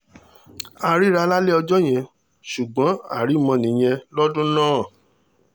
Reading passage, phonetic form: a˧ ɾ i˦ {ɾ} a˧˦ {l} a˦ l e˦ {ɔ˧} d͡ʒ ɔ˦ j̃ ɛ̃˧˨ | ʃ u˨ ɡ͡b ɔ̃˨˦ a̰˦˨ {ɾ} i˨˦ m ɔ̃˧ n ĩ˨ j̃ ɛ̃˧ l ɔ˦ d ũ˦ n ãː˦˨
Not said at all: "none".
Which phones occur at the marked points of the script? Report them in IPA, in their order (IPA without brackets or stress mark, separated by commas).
ɾ, l, ɔ˧, ɾ